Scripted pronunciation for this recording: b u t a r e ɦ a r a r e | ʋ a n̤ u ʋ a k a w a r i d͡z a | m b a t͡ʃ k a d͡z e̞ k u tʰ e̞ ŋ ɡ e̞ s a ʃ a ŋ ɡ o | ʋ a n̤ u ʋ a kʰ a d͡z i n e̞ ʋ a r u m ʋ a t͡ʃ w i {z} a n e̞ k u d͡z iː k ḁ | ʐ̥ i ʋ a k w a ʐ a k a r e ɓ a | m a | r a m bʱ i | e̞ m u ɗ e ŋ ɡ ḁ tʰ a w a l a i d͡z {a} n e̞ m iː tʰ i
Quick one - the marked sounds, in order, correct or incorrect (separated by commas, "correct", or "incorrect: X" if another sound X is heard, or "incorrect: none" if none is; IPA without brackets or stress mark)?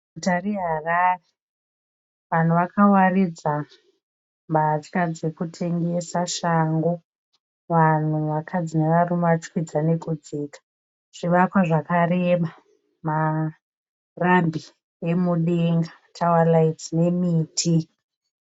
incorrect: d͡z, incorrect: i